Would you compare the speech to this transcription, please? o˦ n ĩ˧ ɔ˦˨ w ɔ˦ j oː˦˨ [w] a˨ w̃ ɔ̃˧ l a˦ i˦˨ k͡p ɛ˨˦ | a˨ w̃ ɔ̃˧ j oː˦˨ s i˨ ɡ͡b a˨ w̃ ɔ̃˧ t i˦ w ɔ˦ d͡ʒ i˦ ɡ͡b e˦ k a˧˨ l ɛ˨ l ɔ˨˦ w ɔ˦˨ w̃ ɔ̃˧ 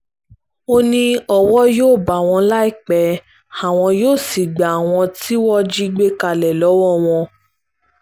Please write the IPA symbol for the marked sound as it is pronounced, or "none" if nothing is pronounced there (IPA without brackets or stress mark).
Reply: b